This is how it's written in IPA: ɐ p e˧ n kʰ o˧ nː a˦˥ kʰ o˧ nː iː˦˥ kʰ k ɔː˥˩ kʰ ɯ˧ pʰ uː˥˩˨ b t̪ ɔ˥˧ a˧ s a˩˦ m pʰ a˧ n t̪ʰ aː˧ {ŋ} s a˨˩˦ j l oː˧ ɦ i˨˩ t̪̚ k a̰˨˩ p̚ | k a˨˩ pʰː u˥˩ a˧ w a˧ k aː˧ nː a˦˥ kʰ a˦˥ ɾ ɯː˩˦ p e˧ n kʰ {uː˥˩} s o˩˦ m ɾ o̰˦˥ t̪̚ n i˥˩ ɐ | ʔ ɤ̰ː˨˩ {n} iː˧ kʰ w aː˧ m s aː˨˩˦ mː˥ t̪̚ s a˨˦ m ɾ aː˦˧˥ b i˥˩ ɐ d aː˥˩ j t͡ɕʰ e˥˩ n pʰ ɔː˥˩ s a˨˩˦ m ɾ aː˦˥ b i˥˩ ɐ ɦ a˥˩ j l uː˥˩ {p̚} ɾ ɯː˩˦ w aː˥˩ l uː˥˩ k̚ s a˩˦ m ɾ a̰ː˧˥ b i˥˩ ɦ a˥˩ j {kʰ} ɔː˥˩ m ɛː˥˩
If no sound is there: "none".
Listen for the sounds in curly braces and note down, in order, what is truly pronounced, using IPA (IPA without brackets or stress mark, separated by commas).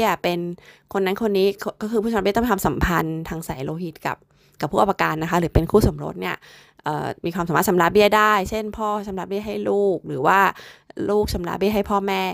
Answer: ŋ, uː˥˩, m, k̚, pʰ